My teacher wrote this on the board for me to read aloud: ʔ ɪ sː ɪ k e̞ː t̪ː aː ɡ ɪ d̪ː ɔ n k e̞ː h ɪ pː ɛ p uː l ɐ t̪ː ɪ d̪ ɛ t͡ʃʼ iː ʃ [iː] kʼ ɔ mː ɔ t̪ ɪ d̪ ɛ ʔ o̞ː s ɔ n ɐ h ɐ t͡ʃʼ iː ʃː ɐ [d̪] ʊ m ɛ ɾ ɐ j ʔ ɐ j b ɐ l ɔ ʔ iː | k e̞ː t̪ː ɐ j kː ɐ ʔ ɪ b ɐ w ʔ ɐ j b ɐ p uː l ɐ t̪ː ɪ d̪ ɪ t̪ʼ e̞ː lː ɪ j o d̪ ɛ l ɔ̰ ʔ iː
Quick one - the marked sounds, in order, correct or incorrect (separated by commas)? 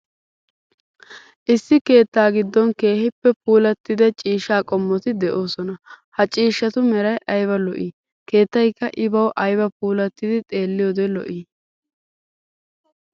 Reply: incorrect, incorrect